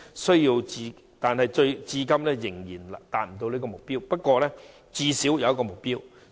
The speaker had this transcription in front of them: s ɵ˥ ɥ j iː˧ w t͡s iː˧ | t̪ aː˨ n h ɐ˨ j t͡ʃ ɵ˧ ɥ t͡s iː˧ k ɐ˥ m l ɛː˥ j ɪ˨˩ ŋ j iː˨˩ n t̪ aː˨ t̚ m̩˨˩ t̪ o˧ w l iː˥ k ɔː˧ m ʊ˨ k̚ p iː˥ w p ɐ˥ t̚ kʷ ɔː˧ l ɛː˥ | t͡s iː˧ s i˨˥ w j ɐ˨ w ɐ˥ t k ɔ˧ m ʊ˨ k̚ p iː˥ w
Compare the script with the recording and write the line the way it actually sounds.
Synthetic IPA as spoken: s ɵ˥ ɥ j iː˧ w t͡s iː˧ | t̪ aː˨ n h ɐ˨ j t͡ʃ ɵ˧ ɥ t͡s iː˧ k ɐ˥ m l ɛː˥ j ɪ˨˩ ŋ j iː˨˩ n t̪ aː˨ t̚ m̩˨˩ t̪ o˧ w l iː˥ k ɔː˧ m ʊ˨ k̚ p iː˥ w p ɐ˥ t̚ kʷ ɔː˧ l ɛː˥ | t͡s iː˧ s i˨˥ w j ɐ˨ w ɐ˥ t k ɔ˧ m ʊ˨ k̚ p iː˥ w

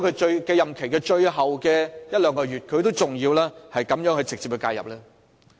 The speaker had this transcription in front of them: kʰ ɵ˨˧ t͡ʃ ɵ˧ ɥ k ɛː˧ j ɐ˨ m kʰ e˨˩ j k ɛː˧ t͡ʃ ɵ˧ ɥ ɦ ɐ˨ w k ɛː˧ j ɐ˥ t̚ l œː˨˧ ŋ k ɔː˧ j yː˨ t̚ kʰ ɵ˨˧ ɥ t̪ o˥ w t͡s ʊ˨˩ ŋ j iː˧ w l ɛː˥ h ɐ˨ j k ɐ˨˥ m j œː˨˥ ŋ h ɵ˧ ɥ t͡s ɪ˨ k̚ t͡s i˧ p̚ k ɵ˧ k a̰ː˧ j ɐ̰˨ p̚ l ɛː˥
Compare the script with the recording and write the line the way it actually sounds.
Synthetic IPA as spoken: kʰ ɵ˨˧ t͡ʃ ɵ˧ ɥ k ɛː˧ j ɐ˨ m kʰ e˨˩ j k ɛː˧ t͡ʃ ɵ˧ ɥ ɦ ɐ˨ w k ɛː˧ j ɐ˥ t̚ l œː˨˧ ŋ k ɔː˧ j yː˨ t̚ kʰ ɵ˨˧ ɥ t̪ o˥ w t͡s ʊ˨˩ ŋ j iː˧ w l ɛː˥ h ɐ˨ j k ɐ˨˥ m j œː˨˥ ŋ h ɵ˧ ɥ t͡s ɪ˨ k̚ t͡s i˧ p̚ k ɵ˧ k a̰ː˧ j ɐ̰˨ p̚ l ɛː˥

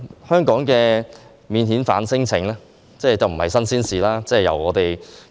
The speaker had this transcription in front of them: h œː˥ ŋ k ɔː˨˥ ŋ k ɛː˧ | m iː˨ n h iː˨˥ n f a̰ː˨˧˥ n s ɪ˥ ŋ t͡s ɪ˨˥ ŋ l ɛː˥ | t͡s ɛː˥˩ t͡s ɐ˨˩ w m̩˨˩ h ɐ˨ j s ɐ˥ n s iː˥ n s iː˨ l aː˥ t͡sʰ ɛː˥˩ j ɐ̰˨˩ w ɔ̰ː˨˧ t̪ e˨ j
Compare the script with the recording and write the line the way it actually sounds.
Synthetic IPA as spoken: h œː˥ ŋ k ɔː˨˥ ŋ k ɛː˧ | m iː˨ n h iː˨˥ n f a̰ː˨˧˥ n s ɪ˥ ŋ t͡sʰ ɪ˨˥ ŋ l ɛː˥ | t͡s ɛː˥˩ t͡s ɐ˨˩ w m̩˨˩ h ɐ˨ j s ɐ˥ n s iː˥ n s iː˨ l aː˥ t͡s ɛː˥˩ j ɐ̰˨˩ w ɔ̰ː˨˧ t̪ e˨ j

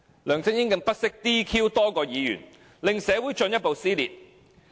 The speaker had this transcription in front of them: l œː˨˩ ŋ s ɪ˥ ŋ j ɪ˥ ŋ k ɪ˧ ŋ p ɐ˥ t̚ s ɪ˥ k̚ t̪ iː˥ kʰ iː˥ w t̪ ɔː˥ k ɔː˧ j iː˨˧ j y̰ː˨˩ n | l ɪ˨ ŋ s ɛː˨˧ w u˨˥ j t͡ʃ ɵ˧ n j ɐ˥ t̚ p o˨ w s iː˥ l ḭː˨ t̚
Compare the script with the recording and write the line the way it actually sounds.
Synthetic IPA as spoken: l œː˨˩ ŋ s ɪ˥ ŋ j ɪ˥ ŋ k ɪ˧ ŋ p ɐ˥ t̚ s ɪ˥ k̚ t̪ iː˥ kʰ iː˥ w t̪ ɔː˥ k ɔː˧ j iː˨˧ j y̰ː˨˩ n | l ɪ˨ ŋ s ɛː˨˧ w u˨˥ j t͡ʃ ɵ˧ n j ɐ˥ t̚ p o˨ w s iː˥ l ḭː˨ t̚

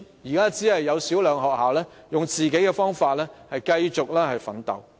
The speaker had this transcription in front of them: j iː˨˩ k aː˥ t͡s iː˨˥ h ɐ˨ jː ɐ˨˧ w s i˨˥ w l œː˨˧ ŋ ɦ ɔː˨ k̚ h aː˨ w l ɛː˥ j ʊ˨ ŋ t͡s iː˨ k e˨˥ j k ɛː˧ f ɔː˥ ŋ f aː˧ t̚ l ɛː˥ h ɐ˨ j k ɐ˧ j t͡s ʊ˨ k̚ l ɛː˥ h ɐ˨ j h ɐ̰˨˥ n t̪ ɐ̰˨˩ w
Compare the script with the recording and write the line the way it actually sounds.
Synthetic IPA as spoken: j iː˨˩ k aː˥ t͡s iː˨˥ h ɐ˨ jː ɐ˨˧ w s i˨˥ w l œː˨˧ ŋ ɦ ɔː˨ k̚ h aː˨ w l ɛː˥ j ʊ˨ ŋ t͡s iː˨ k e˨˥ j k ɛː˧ f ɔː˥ ŋ f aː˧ t̚ l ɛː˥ h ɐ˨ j k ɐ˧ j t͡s ʊ˨ k̚ l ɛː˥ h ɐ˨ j f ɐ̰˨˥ n t̪ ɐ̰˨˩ w

